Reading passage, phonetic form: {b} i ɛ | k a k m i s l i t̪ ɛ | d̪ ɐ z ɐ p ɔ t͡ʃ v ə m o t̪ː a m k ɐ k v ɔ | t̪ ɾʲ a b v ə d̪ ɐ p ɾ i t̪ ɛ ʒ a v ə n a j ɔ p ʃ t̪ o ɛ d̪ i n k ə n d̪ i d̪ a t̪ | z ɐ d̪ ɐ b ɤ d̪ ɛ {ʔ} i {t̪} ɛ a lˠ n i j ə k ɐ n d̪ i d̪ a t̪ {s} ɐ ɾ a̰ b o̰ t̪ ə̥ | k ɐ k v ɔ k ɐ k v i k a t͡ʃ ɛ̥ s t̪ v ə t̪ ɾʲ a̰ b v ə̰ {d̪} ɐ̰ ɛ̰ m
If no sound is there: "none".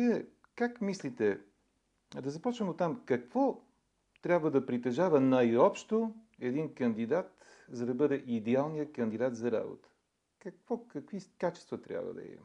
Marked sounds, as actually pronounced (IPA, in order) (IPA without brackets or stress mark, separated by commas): v, ʔ, d̪, z, d̪